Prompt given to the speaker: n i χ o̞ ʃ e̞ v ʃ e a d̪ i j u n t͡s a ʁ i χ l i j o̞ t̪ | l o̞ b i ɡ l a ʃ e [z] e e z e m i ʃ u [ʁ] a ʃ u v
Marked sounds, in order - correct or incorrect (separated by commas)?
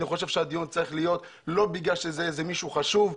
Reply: correct, incorrect